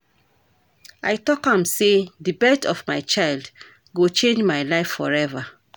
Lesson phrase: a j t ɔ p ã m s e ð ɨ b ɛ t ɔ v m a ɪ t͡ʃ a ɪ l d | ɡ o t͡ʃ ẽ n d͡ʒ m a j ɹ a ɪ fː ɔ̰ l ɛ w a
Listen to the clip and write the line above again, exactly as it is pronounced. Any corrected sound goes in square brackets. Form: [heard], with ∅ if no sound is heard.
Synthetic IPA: a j t ɔ [k] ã m s e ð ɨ b ɛ t ɔ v m a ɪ t͡ʃ a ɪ l d | ɡ o t͡ʃ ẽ n d͡ʒ m a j [l] a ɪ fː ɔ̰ [ɹ] ɛ [v] a